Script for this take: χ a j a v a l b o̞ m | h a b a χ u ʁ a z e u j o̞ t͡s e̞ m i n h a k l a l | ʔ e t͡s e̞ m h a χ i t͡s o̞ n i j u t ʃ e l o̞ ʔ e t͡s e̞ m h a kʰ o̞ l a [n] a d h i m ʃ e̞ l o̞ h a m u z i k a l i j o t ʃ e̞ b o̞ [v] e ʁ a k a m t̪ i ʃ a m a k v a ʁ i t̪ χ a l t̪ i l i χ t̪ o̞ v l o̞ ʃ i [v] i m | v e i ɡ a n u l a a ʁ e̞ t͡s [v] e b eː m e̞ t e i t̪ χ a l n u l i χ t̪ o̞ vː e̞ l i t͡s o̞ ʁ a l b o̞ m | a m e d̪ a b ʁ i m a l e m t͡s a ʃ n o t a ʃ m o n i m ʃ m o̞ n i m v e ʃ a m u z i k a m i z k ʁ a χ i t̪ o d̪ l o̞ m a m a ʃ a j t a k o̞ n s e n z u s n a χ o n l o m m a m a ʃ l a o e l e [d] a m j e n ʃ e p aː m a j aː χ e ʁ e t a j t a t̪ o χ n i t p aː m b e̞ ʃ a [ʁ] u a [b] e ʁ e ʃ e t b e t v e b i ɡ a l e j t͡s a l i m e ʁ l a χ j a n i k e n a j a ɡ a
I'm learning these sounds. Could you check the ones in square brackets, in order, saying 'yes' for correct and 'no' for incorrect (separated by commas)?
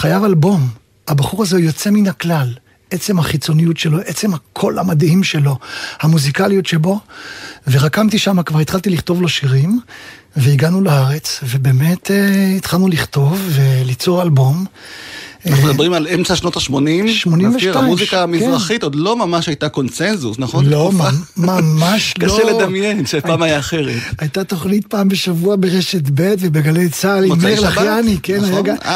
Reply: no, yes, no, yes, yes, no, yes